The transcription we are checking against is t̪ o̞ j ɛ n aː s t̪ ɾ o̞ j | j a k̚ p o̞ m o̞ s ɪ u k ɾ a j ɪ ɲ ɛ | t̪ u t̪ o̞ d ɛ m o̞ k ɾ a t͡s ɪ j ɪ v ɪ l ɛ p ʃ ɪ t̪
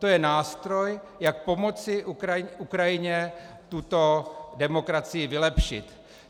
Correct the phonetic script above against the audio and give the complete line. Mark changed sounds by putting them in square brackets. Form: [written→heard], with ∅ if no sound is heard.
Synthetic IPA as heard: t̪ o̞ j ɛ n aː s t̪ ɾ o̞ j | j a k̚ p o̞ m o̞ [s→t͡s] ɪ u k ɾ a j ɪ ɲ ɛ | t̪ u t̪ o̞ d ɛ m o̞ k ɾ a t͡s ɪ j ɪ v ɪ l ɛ p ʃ ɪ t̪